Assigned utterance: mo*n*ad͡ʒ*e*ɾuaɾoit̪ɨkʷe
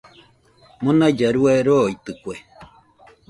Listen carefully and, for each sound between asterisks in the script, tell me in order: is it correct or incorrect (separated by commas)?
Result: correct, incorrect